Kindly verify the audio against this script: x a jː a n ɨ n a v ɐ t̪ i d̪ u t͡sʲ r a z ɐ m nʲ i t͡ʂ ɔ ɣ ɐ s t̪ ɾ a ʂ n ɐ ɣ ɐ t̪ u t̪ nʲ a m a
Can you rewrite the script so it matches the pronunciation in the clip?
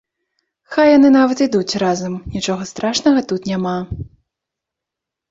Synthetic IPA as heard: x a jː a n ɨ n a v ɐ t̪ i d̪ u t͡sʲ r a z ɐ m nʲ i t͡ʂ ɔ ɣ ɐ s t̪ ɾ a ʂ n ɐ ɣ ɐ t̪ u t̪ nʲ a m a